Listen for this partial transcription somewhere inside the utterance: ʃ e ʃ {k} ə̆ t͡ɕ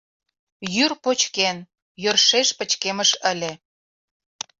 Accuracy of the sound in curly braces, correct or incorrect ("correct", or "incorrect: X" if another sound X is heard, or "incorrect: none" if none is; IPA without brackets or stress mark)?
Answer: incorrect: p